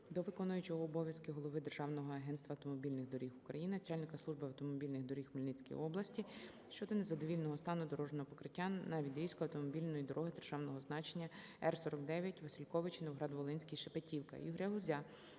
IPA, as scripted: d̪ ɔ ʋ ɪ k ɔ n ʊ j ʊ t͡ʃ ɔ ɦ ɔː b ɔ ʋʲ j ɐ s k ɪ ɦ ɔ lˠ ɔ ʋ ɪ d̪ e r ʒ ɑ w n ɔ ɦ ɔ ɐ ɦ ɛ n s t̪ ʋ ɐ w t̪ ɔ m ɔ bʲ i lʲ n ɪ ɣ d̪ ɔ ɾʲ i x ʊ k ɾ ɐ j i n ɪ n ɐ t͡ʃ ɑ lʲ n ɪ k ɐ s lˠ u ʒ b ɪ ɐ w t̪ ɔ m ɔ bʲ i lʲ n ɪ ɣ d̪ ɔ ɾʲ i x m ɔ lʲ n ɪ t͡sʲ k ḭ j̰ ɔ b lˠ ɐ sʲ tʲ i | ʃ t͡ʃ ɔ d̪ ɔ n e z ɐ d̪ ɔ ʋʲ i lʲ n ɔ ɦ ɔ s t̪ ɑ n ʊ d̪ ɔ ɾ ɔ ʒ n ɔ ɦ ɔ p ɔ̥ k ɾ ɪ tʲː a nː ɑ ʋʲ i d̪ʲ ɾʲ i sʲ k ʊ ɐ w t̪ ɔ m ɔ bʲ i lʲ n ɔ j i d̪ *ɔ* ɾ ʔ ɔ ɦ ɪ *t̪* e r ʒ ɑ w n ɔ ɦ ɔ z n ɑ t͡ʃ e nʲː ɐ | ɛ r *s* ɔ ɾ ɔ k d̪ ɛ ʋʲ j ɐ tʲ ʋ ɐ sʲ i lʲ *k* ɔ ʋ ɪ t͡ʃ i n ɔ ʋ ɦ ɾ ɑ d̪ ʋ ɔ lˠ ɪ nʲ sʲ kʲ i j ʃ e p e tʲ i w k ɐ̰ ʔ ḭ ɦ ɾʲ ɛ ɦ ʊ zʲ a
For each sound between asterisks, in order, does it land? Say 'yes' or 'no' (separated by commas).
yes, no, yes, yes